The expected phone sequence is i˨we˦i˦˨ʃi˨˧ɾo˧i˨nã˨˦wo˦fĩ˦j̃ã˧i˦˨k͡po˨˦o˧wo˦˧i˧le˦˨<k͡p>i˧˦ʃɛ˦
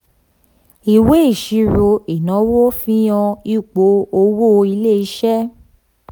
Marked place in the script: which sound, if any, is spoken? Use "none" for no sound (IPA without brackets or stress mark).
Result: none